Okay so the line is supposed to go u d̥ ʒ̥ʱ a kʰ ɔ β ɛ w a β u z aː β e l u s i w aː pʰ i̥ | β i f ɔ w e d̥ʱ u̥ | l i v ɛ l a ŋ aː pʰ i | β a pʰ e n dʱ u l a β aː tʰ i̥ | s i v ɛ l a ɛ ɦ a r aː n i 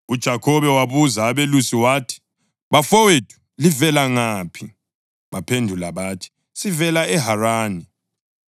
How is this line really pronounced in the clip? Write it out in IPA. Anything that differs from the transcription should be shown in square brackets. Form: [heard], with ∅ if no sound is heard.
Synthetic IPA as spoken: u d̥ ʒ̥ʱ a kʰ ɔ β ɛ w a β u z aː β e l u s i w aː [tʰ] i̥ | β [a] f ɔ w e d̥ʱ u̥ | l i v ɛ l a ŋ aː pʰ i | β a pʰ e n dʱ u l a β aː tʰ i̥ | s i v ɛ l a ɛ ɦ a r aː n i